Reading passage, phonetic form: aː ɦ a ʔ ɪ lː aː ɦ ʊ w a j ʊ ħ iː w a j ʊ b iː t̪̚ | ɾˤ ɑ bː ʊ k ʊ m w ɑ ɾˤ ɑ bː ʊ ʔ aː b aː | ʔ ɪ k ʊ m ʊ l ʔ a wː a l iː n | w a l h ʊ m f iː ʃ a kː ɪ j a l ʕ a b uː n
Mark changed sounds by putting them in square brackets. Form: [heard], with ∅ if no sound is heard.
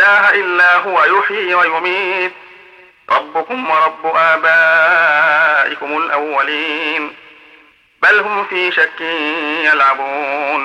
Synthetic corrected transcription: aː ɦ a ʔ ɪ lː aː ɦ ʊ w a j ʊ ħ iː w a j ʊ [m] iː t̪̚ | ɾˤ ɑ bː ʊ k ʊ m w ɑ ɾˤ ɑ bː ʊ ʔ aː b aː | ʔ ɪ k ʊ m ʊ l ʔ a wː a l iː n | [b] a l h ʊ m f iː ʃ a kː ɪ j a l ʕ a b uː n